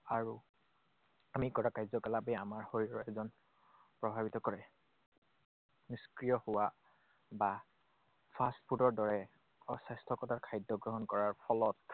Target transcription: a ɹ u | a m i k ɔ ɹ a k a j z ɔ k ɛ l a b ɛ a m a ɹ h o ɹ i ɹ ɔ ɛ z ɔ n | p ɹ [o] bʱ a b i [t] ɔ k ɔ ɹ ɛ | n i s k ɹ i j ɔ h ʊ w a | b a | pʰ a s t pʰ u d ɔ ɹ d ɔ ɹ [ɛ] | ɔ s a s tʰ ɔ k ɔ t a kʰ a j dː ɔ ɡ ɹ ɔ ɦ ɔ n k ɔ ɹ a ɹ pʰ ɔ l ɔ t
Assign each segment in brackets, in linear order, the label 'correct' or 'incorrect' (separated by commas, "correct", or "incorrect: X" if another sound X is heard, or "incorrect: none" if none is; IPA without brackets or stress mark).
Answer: incorrect: ɔ, correct, correct